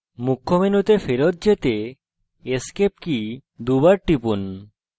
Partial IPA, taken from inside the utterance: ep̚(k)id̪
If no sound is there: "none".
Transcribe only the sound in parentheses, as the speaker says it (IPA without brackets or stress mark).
k